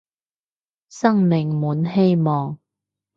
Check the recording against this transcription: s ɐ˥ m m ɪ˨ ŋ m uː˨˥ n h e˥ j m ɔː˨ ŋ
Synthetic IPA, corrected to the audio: s ɐ˥ ŋ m ɪ˨ ŋ m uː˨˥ n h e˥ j m ɔː˨ ŋ